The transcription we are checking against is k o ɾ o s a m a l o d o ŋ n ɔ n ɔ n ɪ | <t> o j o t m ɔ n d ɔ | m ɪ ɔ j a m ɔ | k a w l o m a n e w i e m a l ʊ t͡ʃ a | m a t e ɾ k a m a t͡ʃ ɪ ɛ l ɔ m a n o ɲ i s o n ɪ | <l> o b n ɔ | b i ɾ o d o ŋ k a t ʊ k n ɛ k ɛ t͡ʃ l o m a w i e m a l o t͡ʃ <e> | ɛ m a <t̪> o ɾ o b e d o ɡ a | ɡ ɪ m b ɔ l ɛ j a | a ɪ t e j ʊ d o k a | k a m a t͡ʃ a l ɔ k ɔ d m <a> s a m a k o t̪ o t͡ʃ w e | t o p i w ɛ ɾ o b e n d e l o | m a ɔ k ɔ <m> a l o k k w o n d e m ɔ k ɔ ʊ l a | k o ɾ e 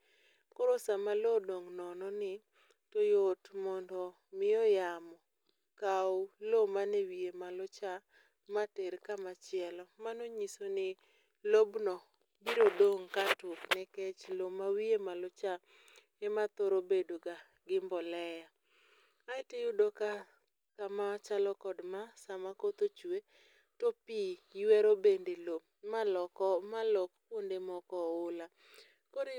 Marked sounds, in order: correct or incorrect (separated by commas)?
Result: correct, correct, incorrect, correct, correct, correct